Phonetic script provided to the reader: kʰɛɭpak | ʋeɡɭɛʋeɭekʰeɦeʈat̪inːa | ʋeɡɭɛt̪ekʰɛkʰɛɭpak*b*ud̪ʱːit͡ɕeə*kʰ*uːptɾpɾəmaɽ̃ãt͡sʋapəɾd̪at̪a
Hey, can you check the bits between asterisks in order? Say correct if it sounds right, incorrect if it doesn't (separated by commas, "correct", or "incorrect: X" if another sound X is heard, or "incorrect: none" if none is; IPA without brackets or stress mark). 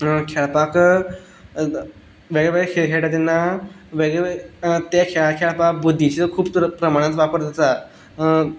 correct, correct